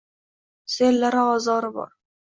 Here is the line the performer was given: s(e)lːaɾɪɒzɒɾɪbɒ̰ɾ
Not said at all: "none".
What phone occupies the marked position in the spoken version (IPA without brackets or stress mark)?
e